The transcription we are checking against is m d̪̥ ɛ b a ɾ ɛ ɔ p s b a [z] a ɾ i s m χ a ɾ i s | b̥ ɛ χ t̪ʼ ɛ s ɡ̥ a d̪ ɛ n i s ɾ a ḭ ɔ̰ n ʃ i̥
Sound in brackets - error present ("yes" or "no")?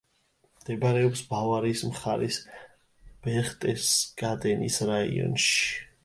yes